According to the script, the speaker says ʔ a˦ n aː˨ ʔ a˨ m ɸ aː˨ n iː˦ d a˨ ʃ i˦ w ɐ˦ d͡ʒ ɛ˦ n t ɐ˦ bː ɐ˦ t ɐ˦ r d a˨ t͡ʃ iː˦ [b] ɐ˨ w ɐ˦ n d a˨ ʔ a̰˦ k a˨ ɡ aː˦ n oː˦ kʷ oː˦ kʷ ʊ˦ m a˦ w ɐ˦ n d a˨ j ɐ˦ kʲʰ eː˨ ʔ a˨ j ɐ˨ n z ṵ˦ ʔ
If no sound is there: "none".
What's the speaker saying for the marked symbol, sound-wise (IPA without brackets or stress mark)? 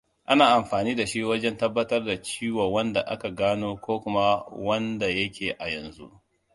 w